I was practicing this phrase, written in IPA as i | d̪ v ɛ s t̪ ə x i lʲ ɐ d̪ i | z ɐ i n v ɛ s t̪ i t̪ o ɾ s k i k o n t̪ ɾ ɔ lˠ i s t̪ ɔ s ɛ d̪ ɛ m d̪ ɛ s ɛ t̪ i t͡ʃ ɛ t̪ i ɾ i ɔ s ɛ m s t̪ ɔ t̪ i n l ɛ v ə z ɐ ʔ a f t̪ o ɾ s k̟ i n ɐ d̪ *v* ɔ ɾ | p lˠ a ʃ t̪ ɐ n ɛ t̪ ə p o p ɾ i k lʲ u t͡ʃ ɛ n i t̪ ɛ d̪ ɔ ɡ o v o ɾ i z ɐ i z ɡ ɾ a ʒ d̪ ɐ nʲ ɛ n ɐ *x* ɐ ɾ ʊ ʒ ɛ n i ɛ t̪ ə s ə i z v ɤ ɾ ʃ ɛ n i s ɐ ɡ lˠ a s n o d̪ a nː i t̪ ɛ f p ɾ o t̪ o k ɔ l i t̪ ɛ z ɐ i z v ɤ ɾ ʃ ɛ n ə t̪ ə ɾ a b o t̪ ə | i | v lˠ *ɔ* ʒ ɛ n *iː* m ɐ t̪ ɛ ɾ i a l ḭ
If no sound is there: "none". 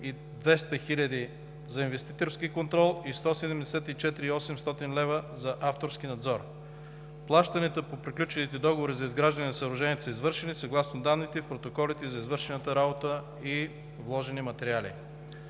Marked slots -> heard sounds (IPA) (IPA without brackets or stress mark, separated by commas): z, s, ɔ, i